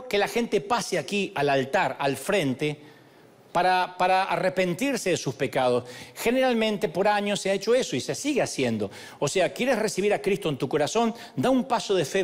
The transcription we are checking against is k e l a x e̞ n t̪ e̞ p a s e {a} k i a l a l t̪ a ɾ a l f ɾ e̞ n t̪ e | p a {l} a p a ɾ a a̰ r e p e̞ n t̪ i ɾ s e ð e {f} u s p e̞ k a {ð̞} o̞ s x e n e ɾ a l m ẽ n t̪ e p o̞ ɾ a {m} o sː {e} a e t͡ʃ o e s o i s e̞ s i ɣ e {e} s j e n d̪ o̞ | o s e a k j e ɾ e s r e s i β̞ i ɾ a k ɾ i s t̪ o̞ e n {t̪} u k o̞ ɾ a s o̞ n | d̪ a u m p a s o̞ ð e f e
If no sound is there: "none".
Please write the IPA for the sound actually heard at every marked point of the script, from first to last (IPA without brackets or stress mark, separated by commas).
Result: a, ɾ, s, ð̞, ɲ, e, a, t̪